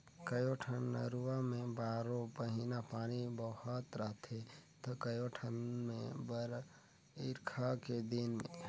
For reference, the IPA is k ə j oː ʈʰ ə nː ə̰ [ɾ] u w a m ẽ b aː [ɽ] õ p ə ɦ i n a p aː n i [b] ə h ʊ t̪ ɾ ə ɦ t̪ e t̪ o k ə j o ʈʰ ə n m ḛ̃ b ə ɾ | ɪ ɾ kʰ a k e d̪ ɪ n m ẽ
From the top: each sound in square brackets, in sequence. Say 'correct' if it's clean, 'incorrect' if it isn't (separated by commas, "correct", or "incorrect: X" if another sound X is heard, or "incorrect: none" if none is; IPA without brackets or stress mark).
correct, incorrect: ɾ, correct